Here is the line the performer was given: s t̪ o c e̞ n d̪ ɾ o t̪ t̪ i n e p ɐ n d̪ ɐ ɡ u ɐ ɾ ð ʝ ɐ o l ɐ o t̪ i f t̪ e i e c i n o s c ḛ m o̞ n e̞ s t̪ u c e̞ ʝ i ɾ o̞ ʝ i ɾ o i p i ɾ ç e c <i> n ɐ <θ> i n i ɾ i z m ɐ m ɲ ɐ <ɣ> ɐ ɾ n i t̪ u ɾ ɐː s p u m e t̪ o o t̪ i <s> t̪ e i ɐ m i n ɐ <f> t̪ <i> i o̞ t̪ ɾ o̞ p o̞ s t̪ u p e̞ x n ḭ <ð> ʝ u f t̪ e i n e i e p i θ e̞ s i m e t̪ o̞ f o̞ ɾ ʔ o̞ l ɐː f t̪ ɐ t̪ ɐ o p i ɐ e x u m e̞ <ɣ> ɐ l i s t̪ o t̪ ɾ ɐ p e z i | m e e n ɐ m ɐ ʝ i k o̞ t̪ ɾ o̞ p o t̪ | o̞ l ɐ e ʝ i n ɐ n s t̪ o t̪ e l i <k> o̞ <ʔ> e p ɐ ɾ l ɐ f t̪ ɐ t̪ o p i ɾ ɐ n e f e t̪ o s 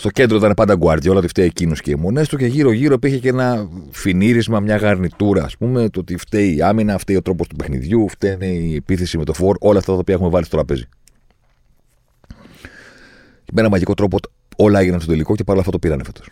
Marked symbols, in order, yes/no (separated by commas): no, no, yes, no, yes, no, yes, no, yes, no